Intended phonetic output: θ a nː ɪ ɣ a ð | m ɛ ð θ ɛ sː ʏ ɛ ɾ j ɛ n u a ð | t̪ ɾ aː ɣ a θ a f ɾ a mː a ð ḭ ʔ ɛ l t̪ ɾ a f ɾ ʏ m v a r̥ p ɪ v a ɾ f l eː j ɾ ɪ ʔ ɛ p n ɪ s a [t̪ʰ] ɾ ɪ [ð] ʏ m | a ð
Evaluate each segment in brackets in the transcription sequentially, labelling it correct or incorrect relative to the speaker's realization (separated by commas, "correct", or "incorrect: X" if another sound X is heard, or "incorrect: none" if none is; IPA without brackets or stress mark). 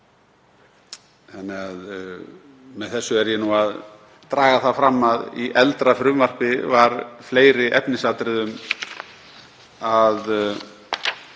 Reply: incorrect: t̪, correct